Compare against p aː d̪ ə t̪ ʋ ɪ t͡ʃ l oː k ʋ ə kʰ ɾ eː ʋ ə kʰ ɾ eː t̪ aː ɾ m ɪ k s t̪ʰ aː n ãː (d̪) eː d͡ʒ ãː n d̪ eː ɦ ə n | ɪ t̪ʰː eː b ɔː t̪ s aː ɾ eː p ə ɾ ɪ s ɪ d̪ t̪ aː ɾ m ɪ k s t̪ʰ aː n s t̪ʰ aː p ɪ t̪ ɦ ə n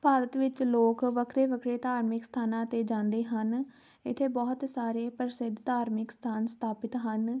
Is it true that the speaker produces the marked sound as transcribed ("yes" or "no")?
no